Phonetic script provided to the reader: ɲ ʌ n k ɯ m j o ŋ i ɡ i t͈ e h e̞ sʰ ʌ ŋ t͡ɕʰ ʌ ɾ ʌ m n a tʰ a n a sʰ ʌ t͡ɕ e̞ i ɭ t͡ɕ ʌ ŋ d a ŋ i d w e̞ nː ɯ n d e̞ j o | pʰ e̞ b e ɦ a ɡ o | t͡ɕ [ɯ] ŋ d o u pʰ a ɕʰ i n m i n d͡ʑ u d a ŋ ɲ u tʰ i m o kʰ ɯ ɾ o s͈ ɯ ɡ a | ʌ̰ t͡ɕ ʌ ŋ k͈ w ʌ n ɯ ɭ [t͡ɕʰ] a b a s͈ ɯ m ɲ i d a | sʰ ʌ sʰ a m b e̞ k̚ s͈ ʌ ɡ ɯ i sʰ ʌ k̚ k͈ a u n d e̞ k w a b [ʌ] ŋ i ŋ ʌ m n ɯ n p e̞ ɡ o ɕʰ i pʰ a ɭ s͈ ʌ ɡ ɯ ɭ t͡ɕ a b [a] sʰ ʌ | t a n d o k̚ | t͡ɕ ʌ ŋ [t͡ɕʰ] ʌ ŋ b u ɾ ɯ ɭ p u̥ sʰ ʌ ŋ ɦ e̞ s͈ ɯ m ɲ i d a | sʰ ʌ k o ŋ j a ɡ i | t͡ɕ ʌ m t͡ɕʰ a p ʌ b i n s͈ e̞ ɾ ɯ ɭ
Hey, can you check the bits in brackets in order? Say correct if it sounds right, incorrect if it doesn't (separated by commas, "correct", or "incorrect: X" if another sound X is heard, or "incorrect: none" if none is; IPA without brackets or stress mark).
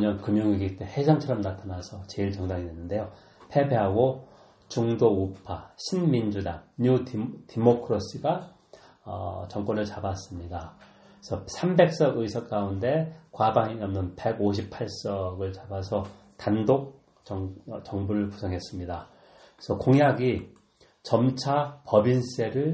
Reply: incorrect: u, incorrect: t͡ɕ, incorrect: a, correct, incorrect: t͡ɕ